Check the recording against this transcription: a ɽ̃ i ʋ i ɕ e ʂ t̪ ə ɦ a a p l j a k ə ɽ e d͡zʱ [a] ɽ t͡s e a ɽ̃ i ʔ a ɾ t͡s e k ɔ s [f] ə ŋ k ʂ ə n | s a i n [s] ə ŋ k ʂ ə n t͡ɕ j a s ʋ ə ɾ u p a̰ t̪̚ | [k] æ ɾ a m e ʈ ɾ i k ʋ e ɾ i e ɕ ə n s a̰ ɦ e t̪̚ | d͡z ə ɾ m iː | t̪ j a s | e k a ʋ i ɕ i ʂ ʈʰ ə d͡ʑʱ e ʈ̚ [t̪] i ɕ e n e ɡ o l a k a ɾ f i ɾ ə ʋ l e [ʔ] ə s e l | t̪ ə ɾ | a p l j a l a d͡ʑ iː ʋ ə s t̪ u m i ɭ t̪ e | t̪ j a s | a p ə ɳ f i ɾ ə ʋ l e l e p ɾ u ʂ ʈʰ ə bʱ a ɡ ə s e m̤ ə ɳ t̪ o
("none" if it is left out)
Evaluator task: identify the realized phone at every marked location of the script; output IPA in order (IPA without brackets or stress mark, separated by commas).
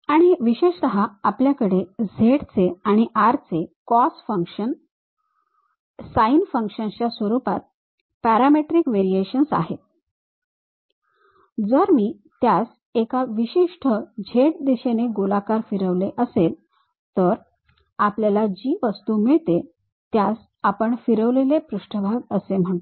e, f, f, p, d̪, ʔ